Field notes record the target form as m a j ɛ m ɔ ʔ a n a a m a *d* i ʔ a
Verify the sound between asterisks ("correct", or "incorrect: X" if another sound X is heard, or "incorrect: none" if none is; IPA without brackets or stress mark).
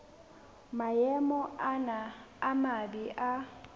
incorrect: b